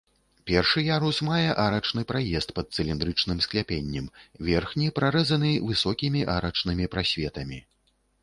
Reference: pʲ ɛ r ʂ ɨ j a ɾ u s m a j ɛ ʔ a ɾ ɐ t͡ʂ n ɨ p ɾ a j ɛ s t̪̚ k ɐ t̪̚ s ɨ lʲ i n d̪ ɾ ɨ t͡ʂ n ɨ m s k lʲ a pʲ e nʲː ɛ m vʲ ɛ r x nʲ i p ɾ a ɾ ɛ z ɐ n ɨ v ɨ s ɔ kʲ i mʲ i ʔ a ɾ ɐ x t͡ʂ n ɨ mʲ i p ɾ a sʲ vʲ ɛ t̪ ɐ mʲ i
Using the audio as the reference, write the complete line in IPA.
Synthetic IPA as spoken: pʲ ɛ r ʂ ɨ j a ɾ u s m a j ɛ ʔ a ɾ ɐ t͡ʂ n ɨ p ɾ a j ɛ s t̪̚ p ɐ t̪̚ s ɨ lʲ i n d̪ ɾ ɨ t͡ʂ n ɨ m s k lʲ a pʲ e nʲː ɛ m vʲ ɛ r x nʲ i p ɾ a ɾ ɛ z ɐ n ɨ v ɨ s ɔ kʲ i mʲ i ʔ a ɾ ɐ t͡ʂ n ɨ mʲ i p ɾ a sʲ vʲ ɛ t̪ ɐ mʲ i